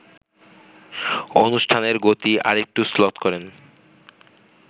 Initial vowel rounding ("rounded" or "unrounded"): rounded